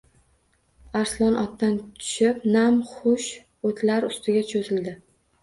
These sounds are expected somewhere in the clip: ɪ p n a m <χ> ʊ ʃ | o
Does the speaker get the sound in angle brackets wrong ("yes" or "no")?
no